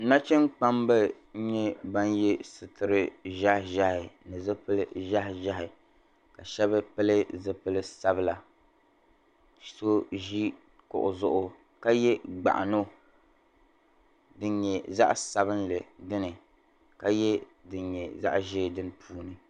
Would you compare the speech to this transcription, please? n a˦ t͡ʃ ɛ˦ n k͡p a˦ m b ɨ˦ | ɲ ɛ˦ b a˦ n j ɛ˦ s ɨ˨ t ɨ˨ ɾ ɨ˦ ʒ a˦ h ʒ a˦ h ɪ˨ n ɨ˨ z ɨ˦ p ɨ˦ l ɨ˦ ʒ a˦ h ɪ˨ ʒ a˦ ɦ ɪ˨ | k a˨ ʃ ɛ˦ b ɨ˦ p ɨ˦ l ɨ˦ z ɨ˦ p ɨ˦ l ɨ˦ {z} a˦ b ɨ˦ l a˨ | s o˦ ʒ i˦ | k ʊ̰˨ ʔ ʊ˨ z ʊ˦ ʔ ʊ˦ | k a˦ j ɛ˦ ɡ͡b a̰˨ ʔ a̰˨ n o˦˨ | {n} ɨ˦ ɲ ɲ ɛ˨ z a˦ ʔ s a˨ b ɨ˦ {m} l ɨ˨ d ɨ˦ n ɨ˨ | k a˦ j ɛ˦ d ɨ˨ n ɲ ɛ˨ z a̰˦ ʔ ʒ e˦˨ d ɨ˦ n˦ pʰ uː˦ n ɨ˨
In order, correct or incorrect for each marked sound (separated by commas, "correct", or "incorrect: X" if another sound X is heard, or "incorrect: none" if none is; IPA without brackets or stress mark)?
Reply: incorrect: s, incorrect: d, incorrect: n